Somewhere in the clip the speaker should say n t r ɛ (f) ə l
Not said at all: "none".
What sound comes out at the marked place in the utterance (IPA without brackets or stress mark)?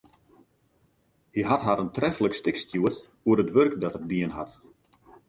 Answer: f